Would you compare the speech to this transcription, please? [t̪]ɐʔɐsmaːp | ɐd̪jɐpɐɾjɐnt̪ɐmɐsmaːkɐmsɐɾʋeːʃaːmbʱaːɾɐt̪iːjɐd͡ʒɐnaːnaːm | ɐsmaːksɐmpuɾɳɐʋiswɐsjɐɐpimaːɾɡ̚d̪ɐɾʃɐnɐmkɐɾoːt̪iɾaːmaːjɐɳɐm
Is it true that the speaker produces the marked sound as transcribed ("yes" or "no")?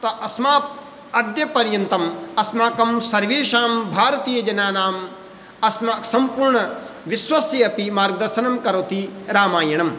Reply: yes